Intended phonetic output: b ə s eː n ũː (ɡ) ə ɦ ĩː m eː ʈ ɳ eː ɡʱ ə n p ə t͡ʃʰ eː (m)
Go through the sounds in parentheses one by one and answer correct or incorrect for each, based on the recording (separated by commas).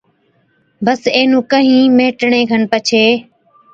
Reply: incorrect, incorrect